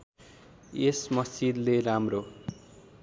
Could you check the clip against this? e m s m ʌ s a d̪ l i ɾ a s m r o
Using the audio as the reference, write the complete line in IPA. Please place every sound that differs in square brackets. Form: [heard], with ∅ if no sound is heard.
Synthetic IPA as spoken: e [∅] s m ʌ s [i] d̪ l [e] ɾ a [∅] m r o